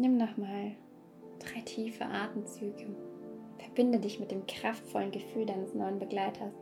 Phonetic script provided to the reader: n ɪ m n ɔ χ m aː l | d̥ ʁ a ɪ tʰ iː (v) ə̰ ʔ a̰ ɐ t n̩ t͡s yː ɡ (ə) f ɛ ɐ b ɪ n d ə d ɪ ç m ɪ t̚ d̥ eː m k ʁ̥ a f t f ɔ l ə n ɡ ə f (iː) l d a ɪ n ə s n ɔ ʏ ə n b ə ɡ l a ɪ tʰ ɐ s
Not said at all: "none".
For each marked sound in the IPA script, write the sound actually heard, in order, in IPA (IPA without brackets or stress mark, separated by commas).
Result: f, ə, yː